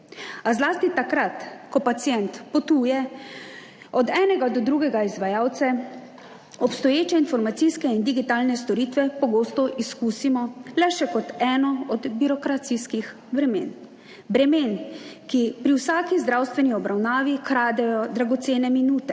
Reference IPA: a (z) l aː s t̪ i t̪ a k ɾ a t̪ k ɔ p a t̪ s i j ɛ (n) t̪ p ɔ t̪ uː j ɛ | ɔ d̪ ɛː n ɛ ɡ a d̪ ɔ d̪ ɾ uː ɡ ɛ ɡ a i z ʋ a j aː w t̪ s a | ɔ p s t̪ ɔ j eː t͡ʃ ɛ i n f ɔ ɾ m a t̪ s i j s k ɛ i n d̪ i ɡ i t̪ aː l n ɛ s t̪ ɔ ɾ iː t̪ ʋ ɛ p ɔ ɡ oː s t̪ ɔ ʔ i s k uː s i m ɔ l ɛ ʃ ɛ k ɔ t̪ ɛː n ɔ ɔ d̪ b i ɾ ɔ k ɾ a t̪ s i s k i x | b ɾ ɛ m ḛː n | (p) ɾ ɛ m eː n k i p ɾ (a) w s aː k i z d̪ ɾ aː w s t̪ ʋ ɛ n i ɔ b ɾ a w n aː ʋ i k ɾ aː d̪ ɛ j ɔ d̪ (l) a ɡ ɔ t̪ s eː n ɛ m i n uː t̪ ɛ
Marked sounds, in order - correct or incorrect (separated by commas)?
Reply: correct, correct, incorrect, incorrect, incorrect